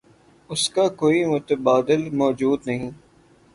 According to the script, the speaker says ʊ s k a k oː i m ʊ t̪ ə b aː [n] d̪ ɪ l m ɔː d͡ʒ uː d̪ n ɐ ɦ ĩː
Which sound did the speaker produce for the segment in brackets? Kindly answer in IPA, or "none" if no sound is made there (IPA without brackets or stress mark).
none